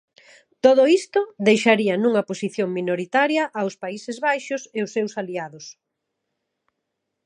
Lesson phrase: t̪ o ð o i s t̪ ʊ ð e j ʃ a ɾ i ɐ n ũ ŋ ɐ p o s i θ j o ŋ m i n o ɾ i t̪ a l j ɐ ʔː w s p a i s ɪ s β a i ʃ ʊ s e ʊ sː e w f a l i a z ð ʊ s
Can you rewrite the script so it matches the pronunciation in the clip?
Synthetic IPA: t̪ o ð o i s t̪ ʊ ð e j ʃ a ɾ i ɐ n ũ ŋ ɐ p o s i θ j o ŋ m i n o ɾ i t̪ a ɾ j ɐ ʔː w s p a i s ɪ z β a j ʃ ʊ s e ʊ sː e w s a l i a ð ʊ s